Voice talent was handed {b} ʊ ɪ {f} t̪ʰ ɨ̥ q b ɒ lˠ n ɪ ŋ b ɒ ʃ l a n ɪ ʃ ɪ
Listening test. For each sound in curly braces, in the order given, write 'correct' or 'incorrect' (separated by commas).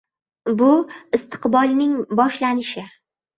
correct, incorrect